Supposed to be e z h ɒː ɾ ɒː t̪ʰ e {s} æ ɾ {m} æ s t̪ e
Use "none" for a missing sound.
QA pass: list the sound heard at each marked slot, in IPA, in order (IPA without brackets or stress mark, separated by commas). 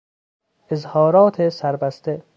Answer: s, b